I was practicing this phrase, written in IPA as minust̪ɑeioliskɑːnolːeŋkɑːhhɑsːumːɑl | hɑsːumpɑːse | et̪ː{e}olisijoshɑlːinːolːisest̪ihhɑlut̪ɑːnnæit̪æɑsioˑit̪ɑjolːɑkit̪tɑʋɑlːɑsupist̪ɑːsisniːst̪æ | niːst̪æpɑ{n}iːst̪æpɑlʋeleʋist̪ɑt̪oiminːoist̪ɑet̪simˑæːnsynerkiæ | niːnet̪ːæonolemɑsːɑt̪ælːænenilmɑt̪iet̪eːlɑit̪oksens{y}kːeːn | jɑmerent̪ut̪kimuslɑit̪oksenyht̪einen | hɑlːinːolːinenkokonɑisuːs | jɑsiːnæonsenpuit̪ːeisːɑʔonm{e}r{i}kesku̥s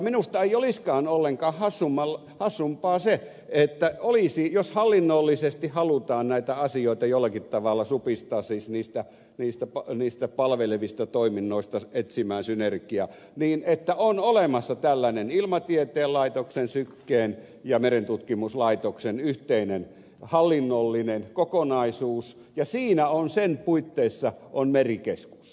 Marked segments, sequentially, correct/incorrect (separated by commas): incorrect, correct, correct, correct, correct